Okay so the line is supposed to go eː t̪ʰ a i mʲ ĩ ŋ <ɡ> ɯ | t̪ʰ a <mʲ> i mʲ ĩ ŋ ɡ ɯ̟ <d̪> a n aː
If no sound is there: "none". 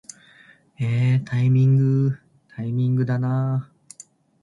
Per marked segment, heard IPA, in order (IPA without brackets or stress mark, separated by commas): ɡ, none, d̪